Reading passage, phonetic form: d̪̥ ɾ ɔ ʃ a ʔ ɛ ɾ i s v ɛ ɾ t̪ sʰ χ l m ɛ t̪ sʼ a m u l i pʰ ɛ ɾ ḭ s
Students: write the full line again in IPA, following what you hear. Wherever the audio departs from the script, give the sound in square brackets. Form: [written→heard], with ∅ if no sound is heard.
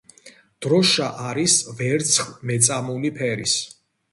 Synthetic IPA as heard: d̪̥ ɾ ɔ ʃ a ʔ [ɛ→a] ɾ i s v ɛ ɾ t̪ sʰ χ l m ɛ t̪ sʼ a m u l i pʰ ɛ ɾ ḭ s

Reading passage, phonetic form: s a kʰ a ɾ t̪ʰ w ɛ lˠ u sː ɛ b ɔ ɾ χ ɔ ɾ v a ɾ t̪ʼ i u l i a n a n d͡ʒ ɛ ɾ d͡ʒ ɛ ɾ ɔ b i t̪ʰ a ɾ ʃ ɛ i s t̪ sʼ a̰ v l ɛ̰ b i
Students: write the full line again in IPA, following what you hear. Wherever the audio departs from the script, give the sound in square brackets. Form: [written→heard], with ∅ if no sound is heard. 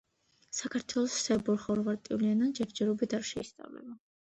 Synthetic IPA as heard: s a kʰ a ɾ t̪ʰ w ɛ lˠ [u→ɔ] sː ɛ b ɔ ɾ χ ɔ ɾ v a ɾ t̪ʼ i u l i a n a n d͡ʒ ɛ ɾ d͡ʒ ɛ ɾ ɔ b i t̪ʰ a ɾ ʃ ɛ i s t̪ sʼ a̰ v l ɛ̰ b [i→a]

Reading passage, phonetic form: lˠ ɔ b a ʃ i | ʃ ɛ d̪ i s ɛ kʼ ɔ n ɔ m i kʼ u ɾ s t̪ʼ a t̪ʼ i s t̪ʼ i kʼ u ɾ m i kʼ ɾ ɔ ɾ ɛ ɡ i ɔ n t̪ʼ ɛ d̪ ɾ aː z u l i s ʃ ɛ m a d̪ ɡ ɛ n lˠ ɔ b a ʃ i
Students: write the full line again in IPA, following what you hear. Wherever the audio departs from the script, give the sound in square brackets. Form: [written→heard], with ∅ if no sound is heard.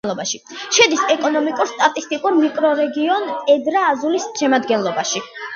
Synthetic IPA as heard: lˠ ɔ b a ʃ i | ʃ ɛ d̪ i s ɛ kʼ ɔ n ɔ m i kʼ u ɾ s t̪ʼ a t̪ʼ i s t̪ʼ i kʼ u ɾ m i kʼ ɾ ɔ ɾ ɛ ɡ i ɔ n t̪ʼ ɛ d̪ ɾ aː z u l i s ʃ ɛ m a d̪ ɡ ɛ n lˠ ɔ b a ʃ i

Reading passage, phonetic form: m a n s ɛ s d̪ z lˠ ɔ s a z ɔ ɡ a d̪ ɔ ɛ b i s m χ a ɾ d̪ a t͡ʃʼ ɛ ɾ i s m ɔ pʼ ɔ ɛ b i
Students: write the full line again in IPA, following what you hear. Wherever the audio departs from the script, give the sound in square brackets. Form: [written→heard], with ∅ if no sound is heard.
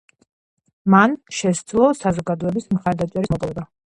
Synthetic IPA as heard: m a n [s→ʃ] ɛ s d̪ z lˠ ɔ s a z ɔ ɡ a d̪ ɔ ɛ b i s m χ a ɾ d̪ a t͡ʃʼ ɛ ɾ i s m ɔ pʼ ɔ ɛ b [i→a]

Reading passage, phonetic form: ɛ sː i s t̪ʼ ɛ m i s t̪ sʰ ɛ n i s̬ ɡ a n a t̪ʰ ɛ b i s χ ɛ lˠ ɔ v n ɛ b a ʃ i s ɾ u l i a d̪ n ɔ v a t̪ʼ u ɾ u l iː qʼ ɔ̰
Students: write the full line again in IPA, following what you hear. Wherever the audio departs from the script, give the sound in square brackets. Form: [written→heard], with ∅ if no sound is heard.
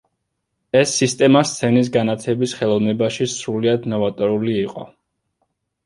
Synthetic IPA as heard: ɛ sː i s t̪ʼ ɛ m [i→a] s t̪ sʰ ɛ n i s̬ ɡ a n a t̪ʰ ɛ b i s χ ɛ lˠ ɔ v n ɛ b a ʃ i s ɾ u l i a d̪ n ɔ v a t̪ʼ [u→ɔ] ɾ u l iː qʼ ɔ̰

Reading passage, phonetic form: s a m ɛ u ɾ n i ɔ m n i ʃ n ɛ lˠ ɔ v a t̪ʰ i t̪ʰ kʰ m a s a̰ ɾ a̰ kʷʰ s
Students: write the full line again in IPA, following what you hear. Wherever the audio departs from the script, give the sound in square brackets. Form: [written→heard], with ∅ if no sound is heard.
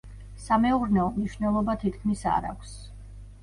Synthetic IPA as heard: s a m ɛ u ɾ n [i→ɛ] ɔ m n i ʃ n ɛ lˠ ɔ [v→b] a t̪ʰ i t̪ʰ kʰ m [a→i] s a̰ ɾ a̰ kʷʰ s

